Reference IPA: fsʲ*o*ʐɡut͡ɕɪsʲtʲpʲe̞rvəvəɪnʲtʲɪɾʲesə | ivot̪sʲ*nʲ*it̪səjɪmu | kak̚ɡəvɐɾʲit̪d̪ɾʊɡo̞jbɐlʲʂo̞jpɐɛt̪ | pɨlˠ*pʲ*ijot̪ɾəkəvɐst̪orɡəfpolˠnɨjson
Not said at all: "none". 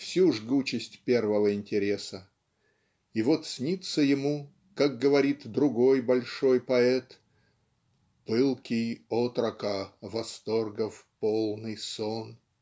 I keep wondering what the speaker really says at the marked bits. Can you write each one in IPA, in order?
u, nʲ, kʲ

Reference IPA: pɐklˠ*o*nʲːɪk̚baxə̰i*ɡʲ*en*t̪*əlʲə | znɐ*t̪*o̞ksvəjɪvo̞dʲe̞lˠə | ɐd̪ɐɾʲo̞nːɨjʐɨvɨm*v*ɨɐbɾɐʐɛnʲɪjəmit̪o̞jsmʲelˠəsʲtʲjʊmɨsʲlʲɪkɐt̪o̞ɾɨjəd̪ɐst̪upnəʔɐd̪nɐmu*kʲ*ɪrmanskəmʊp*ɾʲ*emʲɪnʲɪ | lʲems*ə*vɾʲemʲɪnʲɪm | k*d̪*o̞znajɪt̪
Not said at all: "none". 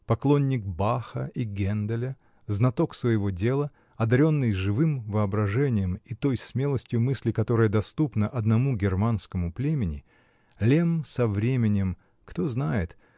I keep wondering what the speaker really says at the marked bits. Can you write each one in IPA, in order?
o, ɡʲ, d̪, t̪, v, ɡʲ, lʲ, ɐ, t̪

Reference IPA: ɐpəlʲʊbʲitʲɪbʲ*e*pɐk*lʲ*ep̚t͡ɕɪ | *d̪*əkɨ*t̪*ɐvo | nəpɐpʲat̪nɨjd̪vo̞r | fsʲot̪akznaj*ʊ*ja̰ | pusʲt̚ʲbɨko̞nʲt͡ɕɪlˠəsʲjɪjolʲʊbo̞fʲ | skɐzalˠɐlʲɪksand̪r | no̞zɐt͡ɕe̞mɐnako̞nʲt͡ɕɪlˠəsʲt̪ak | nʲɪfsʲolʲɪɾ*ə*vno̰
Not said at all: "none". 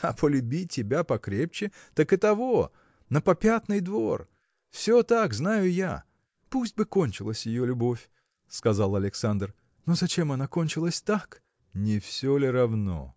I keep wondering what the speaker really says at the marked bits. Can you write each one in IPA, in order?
a, ɾʲ, t̪, t̪, ʊ, ɐ

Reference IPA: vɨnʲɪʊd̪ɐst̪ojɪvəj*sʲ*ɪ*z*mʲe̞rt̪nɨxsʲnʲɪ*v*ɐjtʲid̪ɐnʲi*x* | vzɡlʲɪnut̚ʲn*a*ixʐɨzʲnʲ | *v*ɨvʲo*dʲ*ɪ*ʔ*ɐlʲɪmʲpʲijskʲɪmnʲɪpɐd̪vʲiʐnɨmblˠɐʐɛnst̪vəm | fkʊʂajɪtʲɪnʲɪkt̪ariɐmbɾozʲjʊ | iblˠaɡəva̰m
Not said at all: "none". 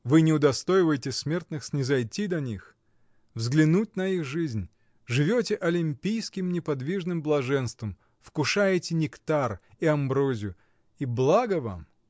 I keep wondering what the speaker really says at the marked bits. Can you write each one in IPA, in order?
tʲ, s, z, x, ɐ, ʐ, tʲ, ʔ

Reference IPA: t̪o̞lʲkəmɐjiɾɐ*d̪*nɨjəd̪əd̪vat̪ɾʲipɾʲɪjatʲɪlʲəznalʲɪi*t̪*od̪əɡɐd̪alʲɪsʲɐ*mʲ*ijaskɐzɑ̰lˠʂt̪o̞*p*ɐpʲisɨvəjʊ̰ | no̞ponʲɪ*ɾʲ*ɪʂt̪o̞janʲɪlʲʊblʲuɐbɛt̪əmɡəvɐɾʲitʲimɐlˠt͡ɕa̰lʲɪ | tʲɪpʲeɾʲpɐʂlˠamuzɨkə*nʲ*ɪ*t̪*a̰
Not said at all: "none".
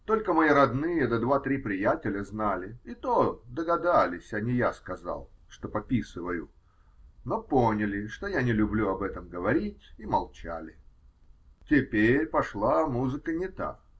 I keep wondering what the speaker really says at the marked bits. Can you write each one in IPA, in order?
d̪, t̪, nʲ, p, lʲ, nʲ, t̪

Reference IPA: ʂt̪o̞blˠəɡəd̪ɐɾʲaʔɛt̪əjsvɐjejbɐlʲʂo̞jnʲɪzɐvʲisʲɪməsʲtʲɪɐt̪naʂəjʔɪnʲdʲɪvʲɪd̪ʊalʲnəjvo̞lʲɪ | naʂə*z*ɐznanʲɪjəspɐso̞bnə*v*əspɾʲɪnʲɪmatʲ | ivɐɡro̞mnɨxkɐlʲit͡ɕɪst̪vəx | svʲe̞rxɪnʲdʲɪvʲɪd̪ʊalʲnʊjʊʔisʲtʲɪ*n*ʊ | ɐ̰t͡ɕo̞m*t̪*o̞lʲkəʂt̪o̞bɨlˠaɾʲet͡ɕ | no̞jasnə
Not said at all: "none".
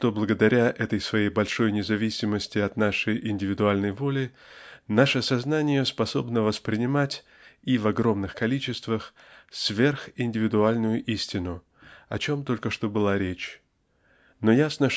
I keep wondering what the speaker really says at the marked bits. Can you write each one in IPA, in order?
s, v, n, t̪

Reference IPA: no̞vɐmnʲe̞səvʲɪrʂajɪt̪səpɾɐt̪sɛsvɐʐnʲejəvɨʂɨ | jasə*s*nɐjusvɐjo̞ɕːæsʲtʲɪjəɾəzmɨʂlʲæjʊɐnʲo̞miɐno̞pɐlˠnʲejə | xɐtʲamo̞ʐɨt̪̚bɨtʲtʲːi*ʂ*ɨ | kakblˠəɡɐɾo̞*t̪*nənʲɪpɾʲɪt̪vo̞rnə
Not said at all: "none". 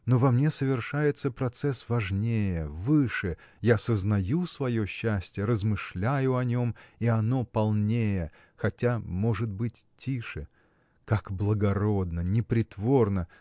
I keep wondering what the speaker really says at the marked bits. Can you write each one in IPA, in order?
z, ʂ, d̪

